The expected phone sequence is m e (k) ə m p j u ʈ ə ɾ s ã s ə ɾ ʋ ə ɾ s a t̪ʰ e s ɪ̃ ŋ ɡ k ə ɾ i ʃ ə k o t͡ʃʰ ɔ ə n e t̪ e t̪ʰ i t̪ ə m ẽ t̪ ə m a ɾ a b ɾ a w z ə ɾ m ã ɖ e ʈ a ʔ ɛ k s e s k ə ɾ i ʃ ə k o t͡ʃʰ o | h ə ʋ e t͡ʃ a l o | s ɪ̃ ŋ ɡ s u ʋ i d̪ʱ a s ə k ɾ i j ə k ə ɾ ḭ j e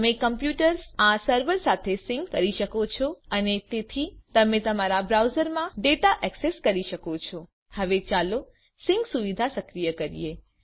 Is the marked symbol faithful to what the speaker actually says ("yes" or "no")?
yes